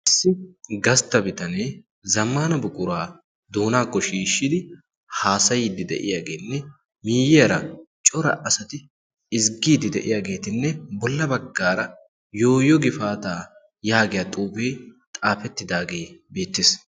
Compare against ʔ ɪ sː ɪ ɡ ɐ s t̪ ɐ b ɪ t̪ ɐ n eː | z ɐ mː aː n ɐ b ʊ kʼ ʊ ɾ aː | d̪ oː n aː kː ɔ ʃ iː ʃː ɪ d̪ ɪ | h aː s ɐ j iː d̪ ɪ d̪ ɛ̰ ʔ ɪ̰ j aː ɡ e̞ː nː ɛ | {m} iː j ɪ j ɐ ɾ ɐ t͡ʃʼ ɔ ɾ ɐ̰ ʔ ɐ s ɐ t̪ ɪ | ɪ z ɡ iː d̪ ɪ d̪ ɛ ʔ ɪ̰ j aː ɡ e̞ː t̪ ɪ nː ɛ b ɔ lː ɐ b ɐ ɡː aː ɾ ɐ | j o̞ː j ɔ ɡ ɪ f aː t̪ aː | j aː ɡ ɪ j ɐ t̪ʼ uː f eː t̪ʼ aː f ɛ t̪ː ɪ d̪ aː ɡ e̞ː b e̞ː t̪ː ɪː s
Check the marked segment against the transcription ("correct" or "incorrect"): correct